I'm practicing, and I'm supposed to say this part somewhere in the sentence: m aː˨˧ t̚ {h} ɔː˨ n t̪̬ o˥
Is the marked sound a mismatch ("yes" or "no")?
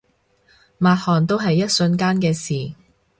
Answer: no